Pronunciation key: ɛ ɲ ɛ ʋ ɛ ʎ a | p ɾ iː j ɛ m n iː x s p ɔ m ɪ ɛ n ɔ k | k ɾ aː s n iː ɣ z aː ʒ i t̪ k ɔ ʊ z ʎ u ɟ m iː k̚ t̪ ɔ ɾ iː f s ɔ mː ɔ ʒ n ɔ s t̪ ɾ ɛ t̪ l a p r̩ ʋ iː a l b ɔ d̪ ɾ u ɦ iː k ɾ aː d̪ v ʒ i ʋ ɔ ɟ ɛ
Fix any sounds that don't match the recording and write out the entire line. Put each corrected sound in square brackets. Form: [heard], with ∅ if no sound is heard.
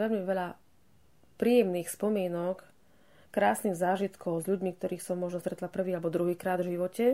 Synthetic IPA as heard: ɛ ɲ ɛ ʋ ɛ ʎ a | p ɾ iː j ɛ m n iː x s p ɔ m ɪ ɛ n ɔ k | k ɾ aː s n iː ɣ z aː ʒ i t̪ k ɔ ʊ z ʎ u ɟ m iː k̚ t̪ ɔ ɾ iː [x] s ɔ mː ɔ ʒ n ɔ s t̪ ɾ ɛ t̪ l a p r̩ ʋ iː a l b ɔ d̪ ɾ u ɦ iː k ɾ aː d̪ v ʒ i ʋ ɔ [c] ɛ